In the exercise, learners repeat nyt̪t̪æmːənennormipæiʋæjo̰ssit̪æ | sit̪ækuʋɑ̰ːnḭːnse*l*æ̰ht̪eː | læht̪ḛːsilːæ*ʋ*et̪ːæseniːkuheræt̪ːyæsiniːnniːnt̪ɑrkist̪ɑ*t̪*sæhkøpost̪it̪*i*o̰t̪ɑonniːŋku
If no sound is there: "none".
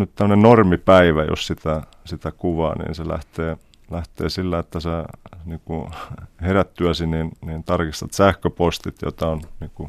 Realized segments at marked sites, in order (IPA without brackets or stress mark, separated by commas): l, none, t̪, j